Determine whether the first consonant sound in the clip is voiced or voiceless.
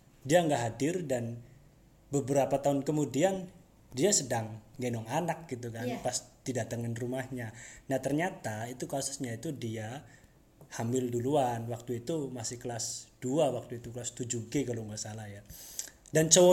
voiced